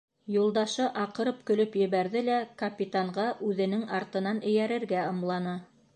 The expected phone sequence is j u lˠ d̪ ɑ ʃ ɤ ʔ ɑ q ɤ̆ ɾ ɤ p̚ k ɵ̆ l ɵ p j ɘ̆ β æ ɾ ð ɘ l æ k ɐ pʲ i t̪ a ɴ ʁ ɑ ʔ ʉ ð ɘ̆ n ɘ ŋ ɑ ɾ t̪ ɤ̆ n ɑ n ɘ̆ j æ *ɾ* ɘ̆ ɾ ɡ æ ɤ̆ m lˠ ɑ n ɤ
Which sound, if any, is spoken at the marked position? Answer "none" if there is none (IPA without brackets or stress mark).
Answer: ɾ